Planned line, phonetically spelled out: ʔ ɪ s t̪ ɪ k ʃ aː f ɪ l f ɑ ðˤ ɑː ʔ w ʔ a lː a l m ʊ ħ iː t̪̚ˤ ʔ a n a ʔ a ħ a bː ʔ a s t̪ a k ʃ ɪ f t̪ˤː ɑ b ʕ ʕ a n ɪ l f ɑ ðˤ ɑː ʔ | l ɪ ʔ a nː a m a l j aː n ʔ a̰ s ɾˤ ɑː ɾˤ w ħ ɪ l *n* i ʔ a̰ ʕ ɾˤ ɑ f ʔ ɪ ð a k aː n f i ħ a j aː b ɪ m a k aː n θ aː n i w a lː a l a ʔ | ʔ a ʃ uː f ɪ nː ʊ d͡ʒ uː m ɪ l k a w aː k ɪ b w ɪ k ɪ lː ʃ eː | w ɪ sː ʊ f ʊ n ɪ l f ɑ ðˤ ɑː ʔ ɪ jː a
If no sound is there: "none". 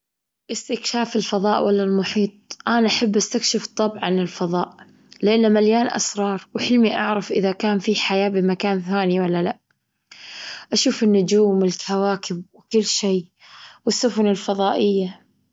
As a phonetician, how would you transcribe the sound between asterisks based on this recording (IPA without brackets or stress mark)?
m